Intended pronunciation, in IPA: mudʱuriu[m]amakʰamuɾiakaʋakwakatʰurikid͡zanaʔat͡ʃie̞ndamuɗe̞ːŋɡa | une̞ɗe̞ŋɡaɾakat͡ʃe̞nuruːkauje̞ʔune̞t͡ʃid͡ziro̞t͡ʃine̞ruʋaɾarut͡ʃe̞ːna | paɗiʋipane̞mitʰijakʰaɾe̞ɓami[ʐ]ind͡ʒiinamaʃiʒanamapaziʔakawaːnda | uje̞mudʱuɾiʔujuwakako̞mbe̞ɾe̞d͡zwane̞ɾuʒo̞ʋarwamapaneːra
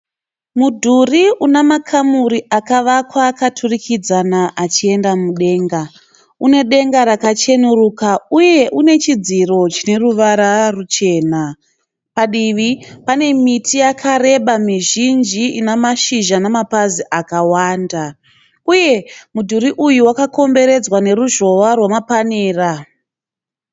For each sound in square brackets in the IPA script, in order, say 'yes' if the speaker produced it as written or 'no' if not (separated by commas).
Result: no, no